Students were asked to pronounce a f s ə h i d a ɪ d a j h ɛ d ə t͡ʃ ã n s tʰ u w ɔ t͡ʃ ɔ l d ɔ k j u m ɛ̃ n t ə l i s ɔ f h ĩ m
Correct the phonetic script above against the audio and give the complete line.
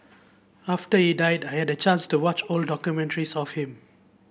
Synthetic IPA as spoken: a f t ə h i d a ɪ d a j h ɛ d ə t͡ʃ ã n s t u w ɔ t͡ʃ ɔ l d ɔ k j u m ɛ̃ n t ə ɹ i s ɔ f h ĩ m

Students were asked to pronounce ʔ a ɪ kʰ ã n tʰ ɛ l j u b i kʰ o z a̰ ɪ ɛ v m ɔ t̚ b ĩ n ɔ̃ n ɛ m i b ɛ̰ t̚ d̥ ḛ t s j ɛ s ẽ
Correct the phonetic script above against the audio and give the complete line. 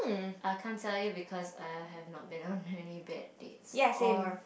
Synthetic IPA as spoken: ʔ a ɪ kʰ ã n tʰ ɛ l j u b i kʰ ɔ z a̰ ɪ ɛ v n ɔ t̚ b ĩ n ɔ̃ n ɛ n i b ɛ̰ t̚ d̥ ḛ t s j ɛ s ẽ

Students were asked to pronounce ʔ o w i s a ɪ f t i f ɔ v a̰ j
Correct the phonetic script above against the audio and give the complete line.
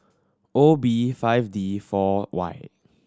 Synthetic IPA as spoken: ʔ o b i f a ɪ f d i f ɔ w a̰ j

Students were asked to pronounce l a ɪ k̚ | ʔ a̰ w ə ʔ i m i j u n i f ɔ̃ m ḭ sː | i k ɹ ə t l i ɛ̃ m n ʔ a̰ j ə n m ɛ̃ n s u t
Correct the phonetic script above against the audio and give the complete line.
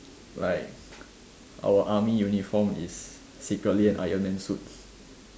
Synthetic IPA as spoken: l a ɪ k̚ | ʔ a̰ w ə ʔ a m i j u n i f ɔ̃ m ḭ sː | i k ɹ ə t l i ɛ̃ n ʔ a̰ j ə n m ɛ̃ n s u t

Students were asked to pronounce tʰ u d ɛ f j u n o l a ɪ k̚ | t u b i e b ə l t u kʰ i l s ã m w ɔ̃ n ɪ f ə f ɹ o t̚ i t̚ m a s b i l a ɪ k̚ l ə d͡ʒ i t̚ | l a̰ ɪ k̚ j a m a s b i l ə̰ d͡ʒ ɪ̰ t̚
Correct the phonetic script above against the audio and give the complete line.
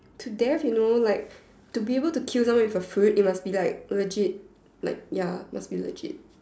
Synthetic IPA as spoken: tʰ u d ɛ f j u n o l a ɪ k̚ | t u b i e b ə l t u kʰ i l s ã m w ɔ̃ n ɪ f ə f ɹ u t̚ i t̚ m a s b i l a ɪ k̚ l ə d͡ʒ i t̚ | l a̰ ɪ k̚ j a m a s b i l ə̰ d͡ʒ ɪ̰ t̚

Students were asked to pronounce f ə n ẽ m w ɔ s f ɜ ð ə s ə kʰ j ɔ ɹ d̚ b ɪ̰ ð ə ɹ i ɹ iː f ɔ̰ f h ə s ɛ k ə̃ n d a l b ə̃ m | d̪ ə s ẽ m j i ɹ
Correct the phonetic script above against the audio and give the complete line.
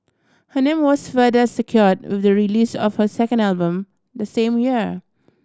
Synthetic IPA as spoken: h ə n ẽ m w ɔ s f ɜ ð ə s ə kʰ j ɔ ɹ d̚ w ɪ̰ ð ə ɹ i l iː s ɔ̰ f h ə s ɛ k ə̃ n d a l b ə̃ m | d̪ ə s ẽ m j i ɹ

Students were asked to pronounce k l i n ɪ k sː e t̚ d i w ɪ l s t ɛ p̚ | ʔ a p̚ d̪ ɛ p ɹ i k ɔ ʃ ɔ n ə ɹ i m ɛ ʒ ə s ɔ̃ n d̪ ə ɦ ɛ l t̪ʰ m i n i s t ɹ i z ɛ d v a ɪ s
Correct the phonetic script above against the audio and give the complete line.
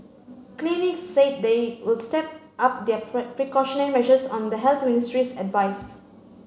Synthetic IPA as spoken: k l i n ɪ k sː e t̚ d e w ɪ l s t ɛ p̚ | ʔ a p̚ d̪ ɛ p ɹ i k ɔ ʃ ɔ n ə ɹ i m ɛ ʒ ə s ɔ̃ n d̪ ə ɦ ɛ l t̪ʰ m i n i s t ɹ i s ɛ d v a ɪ s

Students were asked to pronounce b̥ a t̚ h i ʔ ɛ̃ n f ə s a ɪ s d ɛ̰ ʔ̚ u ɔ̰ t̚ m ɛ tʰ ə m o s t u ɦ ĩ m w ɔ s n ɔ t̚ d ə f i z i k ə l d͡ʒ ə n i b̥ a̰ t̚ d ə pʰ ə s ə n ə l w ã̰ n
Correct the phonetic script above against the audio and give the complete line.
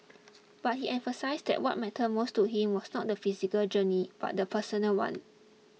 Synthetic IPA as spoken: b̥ a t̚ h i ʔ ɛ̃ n f ə s a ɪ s d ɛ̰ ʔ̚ w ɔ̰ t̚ m ɛ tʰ ə m o s t u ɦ ĩ m w ɔ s n ɔ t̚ d ə f i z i k ə l d͡ʒ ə n i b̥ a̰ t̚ d ə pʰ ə s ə n ə l w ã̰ n

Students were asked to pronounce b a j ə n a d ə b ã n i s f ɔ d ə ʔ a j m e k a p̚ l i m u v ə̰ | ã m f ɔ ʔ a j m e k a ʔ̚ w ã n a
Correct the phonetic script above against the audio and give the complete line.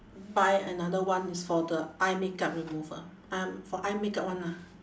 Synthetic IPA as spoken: b a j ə n a d ə w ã n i s f ɔ d ə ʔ a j m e k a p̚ ɹ i m u v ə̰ | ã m f ɔ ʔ a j m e k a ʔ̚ w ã n a

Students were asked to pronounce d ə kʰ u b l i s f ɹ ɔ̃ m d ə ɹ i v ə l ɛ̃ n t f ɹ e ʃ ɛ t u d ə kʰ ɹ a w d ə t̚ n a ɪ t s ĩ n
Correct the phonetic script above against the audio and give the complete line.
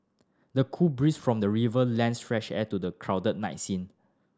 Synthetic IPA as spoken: d ə kʰ u b ɹ i s f ɹ ɔ̃ m d ə ɹ i v ə l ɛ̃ n s f ɹ ɛ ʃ ɛ t u d ə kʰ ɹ a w d ə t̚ n a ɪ t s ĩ n

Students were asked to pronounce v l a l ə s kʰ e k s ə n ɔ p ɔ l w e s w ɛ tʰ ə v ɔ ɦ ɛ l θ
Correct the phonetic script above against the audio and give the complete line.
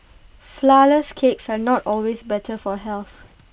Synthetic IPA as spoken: f l a l ə s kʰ e k s a n ɔ t ɔ l w e s b ɛ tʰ ə f ɔ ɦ ɛ l θ

